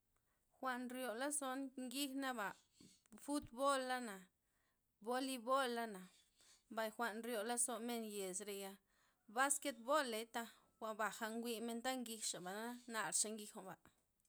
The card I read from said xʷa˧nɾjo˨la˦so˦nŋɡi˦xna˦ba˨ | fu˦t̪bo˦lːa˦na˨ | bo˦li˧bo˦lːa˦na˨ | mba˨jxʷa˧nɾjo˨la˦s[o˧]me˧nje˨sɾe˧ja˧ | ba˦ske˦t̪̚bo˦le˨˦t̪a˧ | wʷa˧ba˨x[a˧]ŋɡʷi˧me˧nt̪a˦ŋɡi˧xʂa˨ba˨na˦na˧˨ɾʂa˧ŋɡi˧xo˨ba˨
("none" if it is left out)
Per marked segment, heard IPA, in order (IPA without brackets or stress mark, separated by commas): o˧, a˧